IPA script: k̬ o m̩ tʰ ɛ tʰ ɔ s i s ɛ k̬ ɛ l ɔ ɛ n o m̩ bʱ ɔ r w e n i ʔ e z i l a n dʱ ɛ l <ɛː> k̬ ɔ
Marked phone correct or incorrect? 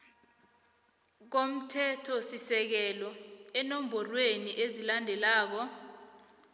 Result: incorrect: aː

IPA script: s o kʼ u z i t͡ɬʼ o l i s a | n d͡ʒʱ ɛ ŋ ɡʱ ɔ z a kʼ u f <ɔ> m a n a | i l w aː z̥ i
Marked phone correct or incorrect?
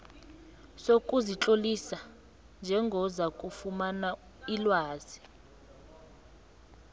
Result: incorrect: u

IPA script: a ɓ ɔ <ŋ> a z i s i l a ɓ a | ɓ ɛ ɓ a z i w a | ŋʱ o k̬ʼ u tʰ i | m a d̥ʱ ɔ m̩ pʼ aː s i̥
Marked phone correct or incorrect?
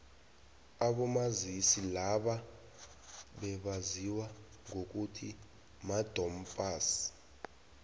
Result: incorrect: m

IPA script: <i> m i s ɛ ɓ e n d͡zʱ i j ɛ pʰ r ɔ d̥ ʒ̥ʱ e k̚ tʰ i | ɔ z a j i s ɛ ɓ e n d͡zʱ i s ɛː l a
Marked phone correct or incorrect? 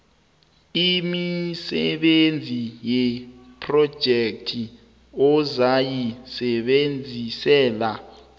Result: correct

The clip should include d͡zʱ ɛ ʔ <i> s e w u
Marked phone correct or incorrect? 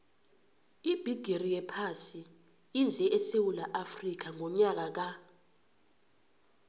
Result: incorrect: ɛ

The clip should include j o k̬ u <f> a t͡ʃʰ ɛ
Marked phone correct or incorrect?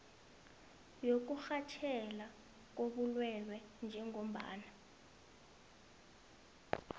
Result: incorrect: x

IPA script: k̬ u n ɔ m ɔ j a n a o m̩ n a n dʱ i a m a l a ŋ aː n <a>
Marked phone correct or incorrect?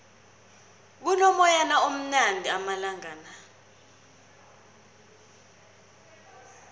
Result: correct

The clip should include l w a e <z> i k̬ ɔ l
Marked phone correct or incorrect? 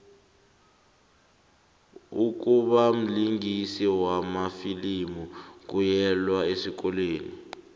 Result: incorrect: s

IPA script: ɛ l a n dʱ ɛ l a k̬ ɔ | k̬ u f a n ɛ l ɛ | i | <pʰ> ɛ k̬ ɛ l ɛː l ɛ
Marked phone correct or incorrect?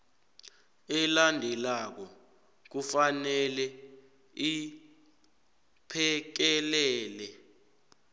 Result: correct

